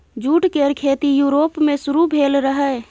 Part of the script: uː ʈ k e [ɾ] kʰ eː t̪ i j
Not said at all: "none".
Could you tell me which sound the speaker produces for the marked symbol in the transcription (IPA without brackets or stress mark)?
ɾ